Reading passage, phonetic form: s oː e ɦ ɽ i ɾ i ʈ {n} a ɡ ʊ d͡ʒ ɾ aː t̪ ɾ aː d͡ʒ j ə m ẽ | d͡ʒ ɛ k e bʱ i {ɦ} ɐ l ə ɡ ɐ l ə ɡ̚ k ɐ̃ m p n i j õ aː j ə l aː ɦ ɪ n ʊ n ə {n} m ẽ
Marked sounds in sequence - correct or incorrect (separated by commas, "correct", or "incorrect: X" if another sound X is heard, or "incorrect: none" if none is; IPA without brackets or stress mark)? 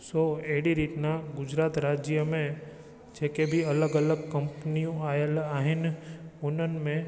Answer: correct, incorrect: none, correct